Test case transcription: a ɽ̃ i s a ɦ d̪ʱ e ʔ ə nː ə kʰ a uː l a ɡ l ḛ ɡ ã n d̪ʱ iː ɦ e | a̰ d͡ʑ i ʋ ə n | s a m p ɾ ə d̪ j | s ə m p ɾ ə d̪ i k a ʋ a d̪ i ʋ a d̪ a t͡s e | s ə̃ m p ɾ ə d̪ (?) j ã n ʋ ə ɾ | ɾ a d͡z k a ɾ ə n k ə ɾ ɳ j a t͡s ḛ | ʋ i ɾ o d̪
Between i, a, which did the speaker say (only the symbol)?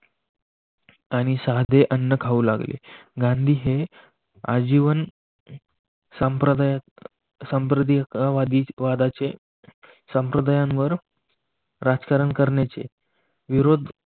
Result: a